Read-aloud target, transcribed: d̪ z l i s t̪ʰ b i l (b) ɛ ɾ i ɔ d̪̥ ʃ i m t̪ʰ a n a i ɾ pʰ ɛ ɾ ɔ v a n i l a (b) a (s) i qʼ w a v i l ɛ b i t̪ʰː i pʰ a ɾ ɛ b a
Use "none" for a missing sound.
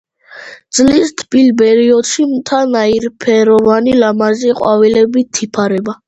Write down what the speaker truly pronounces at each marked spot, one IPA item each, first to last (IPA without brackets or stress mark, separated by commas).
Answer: b, m, z